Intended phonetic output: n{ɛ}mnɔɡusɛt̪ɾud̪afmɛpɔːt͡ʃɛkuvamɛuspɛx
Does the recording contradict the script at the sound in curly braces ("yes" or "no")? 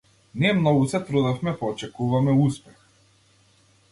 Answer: no